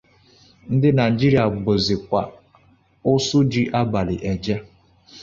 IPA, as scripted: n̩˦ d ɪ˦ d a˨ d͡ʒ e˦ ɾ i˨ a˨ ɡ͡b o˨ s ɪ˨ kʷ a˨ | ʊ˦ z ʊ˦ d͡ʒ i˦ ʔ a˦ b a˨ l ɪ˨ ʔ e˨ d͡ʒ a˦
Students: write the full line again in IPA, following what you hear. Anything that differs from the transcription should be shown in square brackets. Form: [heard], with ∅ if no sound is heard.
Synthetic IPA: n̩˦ d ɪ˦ [n] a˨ d͡ʒ [i˦] ɾ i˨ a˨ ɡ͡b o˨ [z] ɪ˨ kʷ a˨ | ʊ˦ [s] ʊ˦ d͡ʒ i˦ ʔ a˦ b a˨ l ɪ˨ ʔ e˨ d͡ʒ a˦